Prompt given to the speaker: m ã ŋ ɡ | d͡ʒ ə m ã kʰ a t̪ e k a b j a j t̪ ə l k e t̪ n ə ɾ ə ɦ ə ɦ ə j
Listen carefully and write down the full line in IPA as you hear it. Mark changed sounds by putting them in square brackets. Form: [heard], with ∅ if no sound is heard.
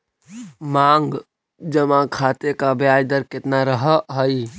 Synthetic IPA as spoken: m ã ŋ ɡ | d͡ʒ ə m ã kʰ a t̪ e k a b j a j [d̪] ə [ɾ] k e t̪ n [a] ɾ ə ɦ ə ɦ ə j